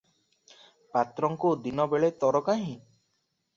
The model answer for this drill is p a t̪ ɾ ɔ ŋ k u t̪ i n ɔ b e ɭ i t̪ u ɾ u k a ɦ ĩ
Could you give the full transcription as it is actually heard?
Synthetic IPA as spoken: p a t̪ ɾ ɔ ŋ k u d̪ i n ɔ b e ɭ e t̪ ɔ ɾ ɔ k a ɦ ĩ